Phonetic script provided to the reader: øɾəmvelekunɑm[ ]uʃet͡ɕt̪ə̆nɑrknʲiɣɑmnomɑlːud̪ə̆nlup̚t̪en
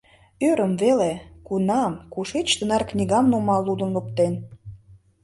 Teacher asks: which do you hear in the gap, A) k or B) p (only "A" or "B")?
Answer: A